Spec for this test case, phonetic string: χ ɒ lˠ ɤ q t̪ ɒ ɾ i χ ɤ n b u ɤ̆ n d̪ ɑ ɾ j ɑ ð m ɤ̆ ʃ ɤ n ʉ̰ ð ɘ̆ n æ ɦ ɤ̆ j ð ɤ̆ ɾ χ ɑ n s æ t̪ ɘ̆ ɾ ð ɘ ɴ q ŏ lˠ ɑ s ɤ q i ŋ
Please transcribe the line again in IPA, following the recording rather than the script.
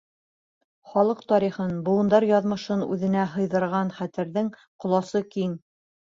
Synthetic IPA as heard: χ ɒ lˠ ɤ q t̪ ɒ ɾ i χ ɤ n b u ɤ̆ n d̪ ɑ ɾ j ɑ ð m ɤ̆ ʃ ɤ n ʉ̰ ð ɘ̆ n æ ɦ ɤ̆ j ð ɤ̆ ɾ ʁ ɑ n χ æ t̪ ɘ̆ ɾ ð ɘ ŋ q ŏ lˠ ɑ s ɤ k i ŋ